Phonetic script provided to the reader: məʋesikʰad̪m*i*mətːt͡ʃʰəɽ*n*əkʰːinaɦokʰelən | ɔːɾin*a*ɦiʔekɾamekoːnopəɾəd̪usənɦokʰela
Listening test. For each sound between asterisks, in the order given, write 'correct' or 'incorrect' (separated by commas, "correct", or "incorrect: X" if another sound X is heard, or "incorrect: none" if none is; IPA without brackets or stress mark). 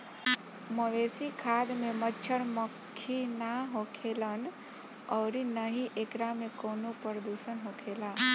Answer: incorrect: e, incorrect: m, incorrect: ə